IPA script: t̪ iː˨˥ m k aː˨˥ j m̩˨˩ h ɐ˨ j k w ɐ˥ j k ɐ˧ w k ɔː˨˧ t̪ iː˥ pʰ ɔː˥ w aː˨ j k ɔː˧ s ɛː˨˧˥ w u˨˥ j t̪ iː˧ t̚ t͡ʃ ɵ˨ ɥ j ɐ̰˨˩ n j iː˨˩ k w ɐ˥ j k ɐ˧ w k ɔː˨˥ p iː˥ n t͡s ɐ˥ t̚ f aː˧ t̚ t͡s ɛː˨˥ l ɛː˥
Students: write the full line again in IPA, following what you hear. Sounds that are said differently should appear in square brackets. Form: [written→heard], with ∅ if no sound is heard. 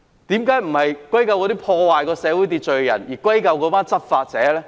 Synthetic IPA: t̪ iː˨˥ m k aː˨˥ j m̩˨˩ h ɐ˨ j k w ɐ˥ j k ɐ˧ w k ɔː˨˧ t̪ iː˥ pʰ [ɔː˥→ɔː˧] w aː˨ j k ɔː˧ s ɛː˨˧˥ w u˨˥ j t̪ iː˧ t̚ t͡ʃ ɵ˨ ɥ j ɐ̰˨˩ n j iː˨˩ k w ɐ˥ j k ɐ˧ w k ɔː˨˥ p [iː˥→aː˥] n t͡s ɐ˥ t̚ f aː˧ t̚ t͡s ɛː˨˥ l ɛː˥